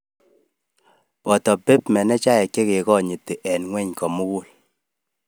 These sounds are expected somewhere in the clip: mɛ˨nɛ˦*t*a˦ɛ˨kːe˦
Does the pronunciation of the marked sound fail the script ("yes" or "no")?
yes